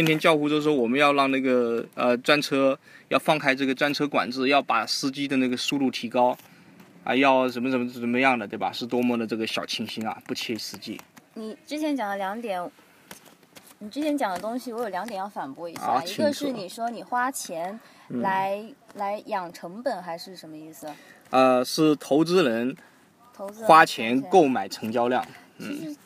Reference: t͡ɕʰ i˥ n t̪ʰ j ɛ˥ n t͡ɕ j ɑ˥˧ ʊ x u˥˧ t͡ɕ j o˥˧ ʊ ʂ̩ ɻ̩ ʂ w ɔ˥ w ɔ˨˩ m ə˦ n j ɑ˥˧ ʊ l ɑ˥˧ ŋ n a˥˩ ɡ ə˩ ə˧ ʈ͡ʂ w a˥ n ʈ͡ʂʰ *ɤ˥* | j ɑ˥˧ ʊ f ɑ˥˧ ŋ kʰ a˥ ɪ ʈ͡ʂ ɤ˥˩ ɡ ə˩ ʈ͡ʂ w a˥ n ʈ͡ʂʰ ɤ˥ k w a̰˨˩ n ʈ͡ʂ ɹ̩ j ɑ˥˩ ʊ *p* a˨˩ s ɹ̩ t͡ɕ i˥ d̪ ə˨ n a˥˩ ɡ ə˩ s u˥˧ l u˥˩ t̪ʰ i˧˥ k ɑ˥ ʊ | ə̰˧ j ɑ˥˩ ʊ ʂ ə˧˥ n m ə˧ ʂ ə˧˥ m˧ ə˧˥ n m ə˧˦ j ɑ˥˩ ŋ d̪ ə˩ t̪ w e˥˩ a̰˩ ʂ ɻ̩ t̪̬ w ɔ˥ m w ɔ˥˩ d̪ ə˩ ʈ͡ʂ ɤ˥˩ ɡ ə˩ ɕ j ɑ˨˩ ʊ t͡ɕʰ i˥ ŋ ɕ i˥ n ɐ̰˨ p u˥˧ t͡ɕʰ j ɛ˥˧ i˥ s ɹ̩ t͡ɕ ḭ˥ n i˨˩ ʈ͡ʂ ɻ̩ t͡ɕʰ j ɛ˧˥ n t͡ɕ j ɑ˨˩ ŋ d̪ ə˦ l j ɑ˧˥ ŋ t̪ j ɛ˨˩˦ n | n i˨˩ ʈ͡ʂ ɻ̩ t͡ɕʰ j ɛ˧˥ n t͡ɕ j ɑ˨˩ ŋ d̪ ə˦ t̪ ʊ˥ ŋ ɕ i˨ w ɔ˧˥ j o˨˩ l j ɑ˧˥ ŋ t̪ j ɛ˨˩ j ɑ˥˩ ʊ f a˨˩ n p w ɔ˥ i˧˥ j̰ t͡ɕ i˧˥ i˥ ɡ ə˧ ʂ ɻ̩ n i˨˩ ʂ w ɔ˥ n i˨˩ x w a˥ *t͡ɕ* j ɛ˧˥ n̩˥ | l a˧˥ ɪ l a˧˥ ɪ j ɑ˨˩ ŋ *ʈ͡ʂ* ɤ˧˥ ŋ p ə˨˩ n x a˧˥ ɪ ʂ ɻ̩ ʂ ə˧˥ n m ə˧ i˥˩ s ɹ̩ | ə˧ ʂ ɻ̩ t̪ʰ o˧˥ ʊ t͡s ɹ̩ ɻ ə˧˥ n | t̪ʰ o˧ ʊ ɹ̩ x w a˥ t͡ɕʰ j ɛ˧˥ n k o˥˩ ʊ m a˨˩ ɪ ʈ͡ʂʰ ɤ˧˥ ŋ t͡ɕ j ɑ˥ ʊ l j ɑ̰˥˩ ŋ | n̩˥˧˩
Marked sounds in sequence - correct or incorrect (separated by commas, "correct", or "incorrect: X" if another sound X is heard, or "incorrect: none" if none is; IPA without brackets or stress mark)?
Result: correct, correct, incorrect: t͡ɕʰ, incorrect: ʈ͡ʂʰ